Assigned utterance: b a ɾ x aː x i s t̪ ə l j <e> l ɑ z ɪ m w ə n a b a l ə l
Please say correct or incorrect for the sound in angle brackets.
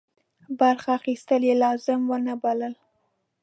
correct